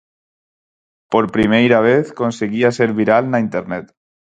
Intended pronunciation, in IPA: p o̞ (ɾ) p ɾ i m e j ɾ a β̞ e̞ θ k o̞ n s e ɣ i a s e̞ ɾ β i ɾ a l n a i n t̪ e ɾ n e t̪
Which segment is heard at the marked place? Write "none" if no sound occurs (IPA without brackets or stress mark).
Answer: ɾ